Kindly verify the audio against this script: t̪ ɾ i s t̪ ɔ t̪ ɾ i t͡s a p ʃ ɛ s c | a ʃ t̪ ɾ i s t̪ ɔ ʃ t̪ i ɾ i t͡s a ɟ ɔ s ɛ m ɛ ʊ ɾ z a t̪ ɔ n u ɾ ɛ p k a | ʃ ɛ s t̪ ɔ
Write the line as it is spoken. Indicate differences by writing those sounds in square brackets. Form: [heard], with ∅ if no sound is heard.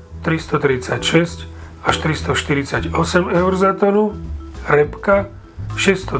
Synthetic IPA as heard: t̪ ɾ i s t̪ ɔ t̪ ɾ i t͡s a [c] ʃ ɛ s c | a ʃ t̪ ɾ i s t̪ ɔ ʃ t̪ i ɾ i t͡s a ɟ ɔ s ɛ m ɛ ʊ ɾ z a t̪ ɔ n u ɾ ɛ p k a | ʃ ɛ s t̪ ɔ